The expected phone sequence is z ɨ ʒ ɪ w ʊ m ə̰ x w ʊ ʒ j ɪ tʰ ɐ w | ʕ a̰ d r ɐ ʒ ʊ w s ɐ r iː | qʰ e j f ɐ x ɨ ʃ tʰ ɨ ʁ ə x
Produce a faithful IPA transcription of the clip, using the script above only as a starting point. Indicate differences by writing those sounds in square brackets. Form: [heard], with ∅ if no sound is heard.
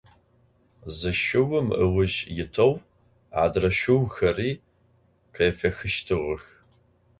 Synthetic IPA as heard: z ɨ [ʃ] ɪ w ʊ m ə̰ [∅] w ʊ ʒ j ɪ tʰ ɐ w | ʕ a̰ d r ɐ [ʃ] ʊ w [x] ɐ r iː | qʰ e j f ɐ x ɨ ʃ tʰ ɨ ʁ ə x